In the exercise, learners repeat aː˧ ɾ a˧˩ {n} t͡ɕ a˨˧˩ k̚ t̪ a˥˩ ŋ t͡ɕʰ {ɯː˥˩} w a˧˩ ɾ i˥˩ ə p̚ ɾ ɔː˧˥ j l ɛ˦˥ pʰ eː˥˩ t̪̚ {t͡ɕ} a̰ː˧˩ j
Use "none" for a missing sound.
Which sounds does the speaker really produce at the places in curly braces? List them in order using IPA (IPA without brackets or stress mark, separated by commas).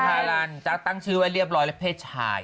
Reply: n, ɯː˦˥, t͡ɕʰ